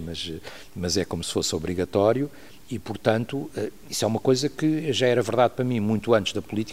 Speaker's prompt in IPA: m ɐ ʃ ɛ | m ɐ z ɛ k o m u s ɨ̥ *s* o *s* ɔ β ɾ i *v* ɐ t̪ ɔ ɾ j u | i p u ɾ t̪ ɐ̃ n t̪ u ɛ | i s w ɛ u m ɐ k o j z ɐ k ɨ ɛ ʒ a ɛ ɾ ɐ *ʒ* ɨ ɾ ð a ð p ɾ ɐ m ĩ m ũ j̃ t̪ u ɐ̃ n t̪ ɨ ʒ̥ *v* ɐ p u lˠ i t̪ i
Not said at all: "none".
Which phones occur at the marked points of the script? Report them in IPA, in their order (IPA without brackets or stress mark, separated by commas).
f, s, ɣ, v, ð